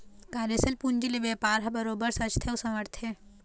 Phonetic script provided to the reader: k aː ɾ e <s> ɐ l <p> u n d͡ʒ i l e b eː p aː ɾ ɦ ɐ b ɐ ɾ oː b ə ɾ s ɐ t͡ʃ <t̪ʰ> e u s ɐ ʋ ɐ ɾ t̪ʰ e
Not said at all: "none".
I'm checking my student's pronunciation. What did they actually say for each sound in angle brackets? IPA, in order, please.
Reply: s, p, t̪ʰ

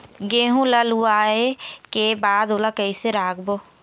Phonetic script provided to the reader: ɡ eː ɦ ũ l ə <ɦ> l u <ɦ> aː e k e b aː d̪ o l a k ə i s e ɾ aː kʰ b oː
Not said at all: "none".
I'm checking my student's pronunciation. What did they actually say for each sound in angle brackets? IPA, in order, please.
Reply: none, none

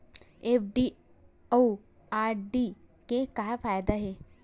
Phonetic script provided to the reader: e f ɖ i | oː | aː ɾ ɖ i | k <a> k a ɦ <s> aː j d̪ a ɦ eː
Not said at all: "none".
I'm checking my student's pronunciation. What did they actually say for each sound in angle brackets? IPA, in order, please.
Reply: e, f

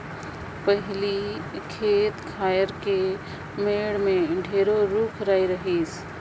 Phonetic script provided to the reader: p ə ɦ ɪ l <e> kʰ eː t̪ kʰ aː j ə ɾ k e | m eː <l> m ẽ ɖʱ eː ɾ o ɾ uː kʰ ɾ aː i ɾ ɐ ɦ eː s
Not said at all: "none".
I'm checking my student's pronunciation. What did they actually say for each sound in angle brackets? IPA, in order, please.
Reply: i, ɽ

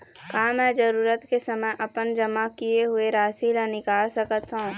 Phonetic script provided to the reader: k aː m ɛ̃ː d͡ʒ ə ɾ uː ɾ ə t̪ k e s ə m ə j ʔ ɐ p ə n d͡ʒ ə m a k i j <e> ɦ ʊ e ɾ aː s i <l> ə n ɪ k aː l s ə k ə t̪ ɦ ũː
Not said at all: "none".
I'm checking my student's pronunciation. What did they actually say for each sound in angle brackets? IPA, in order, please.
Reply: e, l

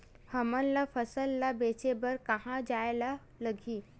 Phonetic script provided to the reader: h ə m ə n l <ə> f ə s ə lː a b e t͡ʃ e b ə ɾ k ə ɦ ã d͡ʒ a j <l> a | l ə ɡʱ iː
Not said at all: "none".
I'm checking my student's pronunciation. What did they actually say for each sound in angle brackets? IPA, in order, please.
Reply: a, l

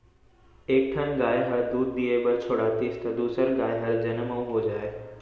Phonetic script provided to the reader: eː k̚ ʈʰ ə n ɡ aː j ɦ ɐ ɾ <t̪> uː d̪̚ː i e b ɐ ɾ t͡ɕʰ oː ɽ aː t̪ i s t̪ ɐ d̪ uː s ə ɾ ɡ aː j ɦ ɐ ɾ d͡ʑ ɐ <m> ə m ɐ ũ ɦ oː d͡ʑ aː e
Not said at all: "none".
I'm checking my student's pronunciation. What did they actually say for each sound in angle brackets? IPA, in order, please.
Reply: d̪, n

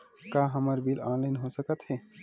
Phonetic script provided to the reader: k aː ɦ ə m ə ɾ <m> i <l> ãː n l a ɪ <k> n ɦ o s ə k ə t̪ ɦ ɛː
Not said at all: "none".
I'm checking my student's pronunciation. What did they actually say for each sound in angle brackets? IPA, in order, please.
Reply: b, l, none

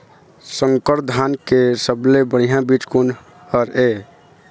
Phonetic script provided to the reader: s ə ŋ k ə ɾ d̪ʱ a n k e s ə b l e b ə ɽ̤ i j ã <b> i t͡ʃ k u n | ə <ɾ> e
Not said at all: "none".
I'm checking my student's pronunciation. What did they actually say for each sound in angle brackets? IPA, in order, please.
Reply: b, ɾ

